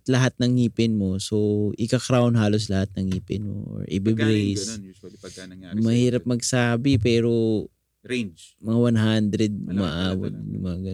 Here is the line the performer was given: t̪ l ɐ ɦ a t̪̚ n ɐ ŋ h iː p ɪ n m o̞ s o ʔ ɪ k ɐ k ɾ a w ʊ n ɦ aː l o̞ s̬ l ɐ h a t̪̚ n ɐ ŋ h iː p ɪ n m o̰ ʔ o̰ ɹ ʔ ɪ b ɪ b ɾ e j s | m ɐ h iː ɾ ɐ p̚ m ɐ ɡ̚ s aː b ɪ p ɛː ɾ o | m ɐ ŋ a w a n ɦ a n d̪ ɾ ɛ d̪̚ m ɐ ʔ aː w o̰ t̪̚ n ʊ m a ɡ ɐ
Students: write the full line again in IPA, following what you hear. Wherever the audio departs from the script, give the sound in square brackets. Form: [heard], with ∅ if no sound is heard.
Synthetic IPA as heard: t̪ l ɐ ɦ a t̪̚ n ɐ ŋ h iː p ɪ n m o̞ s o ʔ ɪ k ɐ k ɾ a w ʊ n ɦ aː l o̞ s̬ l ɐ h a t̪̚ n ɐ ŋ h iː p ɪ n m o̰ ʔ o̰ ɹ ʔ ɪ b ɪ b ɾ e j s | m ɐ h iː ɾ ɐ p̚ m ɐ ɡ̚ s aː b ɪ p ɛː ɾ o | m ɐ ŋ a w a n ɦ a n d̪ ɾ ɛ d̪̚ m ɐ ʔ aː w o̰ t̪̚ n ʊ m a ɡ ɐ